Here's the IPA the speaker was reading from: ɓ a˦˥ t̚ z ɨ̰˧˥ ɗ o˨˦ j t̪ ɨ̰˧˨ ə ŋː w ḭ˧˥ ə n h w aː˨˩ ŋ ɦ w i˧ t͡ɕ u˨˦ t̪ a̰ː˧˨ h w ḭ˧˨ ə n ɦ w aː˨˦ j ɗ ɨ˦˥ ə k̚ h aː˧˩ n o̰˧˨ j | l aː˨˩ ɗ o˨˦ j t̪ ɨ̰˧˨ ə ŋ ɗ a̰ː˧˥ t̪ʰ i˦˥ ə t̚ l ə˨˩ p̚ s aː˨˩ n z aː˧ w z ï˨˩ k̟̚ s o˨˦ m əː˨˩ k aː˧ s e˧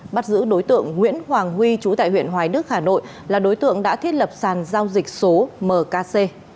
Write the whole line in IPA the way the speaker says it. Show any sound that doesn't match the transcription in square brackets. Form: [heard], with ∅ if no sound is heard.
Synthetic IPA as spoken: ɓ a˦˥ t̚ z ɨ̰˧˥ ɗ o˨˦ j t̪ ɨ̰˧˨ ə ŋː w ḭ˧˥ ə n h w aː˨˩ ŋ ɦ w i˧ t͡ɕ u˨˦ t̪ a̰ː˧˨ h w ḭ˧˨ ə n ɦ w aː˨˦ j ɗ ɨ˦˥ ə k̚ h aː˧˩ n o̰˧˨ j | l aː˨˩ ɗ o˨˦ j t̪ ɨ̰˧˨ ə ŋ ɗ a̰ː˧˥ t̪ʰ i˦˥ ə t̚ l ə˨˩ p̚ s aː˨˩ n z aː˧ w z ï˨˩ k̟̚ s o˨˦ m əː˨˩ k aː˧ s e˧